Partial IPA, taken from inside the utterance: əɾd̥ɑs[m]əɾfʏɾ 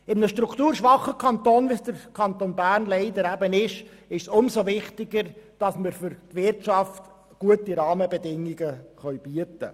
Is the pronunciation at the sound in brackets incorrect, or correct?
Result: correct